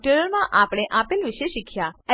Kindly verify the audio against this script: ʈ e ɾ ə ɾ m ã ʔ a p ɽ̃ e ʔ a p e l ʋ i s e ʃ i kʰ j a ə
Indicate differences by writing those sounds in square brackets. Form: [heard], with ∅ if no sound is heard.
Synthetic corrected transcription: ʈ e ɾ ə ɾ m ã ʔ a p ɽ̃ e ʔ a p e l ʋ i [ʃ] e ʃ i kʰ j a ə